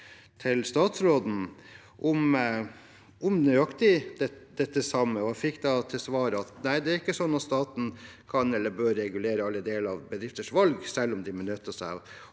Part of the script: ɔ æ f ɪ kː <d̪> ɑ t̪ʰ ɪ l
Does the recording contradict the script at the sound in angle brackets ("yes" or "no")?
no